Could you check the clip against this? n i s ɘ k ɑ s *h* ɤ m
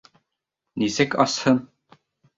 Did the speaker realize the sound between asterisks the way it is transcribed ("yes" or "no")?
yes